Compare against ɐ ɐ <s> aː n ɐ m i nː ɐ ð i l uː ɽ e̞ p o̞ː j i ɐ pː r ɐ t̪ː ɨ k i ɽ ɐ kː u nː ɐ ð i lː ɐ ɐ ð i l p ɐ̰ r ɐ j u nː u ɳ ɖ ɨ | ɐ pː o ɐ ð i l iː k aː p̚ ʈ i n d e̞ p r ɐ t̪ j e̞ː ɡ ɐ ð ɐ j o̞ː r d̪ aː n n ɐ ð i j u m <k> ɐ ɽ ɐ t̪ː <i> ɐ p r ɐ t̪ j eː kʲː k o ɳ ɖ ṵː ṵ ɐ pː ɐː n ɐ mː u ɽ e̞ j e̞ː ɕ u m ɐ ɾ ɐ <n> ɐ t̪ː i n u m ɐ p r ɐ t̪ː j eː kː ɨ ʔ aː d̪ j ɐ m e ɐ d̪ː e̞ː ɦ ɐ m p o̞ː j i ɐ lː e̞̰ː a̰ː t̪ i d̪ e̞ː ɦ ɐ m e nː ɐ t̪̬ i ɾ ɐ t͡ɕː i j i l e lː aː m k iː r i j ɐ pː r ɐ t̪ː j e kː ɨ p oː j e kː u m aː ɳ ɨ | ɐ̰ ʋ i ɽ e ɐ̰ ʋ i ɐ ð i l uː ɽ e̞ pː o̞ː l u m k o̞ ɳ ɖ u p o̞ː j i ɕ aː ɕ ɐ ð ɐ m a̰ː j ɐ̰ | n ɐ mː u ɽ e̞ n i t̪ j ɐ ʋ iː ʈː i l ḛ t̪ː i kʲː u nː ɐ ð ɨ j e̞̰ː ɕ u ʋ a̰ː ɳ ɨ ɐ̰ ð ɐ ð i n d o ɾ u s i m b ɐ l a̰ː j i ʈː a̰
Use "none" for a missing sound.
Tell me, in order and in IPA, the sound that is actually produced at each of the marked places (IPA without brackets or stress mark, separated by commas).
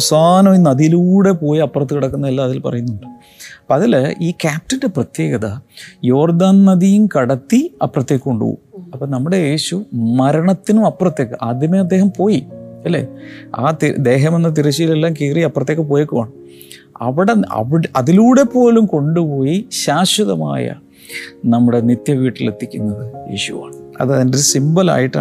s, k, i, ɳ